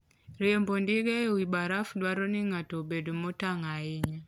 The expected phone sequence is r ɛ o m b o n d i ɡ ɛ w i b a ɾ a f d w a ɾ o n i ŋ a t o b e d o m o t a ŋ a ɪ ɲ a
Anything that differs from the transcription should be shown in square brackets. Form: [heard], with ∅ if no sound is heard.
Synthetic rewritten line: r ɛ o m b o n d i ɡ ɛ w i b a ɾ a f d w a ɾ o n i ŋ a t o b e d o m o t a ŋ a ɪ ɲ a